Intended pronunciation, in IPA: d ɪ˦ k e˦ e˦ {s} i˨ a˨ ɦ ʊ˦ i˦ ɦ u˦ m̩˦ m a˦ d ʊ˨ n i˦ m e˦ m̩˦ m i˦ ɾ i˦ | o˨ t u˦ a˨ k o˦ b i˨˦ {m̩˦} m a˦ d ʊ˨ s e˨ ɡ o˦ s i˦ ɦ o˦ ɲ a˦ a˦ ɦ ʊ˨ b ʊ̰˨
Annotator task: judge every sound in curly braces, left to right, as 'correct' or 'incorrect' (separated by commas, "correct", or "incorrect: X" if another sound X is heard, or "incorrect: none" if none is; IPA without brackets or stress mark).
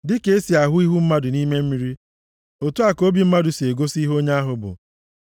correct, correct